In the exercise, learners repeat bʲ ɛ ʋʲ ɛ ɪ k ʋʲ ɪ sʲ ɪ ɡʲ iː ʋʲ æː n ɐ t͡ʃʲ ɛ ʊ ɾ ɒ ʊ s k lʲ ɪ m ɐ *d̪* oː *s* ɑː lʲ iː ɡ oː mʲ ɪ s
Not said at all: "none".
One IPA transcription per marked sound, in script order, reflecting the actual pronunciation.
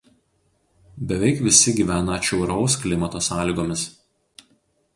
t̪, s

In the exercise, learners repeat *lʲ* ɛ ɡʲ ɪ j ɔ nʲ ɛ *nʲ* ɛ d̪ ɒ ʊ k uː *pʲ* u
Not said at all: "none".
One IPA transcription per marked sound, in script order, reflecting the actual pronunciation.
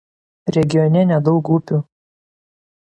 ɾʲ, nʲ, pʲ

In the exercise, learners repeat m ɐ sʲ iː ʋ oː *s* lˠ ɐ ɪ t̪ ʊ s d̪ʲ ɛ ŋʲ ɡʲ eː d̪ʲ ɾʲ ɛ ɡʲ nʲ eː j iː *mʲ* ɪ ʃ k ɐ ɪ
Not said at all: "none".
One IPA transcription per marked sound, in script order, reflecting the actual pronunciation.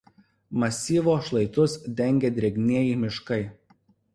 ʃ, mʲ

